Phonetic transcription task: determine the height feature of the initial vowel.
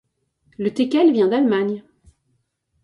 mid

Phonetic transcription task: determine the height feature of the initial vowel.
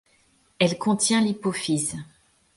mid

